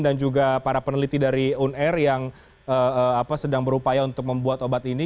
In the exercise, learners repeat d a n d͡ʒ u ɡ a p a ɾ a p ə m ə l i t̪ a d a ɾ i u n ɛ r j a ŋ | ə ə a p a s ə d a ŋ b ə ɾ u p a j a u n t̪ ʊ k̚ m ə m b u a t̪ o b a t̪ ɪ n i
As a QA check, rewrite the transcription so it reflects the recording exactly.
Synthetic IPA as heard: d a n d͡ʒ u ɡ a p a ɾ a p ə n ə l i t̪ i d a ɾ i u n ɛ r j a ŋ | ə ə a p a s ə d a ŋ b ə ɾ u p a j a u n t̪ ʊ k̚ m ə m b u a t̪ o b a t̪ i n i